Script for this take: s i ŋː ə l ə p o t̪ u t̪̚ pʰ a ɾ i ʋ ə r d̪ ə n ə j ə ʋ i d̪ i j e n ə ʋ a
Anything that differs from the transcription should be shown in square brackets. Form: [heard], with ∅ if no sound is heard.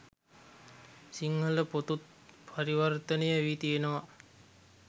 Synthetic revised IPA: s i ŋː ə l ə p o t̪ u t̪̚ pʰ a ɾ i ʋ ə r [t̪] ə n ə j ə ʋ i [t̪] i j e n ə ʋ a